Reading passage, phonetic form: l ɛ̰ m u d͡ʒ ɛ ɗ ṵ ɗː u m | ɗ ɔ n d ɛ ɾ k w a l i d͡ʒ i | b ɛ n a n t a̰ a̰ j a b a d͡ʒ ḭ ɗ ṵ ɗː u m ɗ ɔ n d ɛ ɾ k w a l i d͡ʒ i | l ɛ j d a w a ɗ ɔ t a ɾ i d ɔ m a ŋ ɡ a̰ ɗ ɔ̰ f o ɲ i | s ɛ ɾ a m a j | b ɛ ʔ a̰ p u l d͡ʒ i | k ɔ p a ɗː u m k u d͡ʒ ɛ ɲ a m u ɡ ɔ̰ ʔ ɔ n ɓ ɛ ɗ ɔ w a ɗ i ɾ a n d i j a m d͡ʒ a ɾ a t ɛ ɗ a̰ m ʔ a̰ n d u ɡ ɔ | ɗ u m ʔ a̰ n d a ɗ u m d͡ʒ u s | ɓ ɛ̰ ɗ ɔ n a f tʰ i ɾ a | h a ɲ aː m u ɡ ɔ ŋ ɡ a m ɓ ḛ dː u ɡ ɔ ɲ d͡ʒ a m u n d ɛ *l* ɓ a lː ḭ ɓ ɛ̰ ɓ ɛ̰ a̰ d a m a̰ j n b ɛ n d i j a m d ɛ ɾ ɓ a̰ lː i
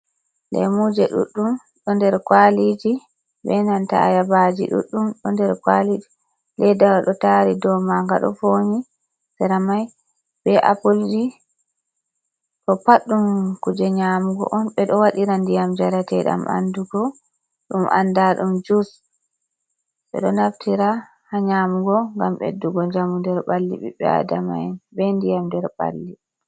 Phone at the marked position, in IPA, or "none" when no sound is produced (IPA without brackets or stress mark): ɾ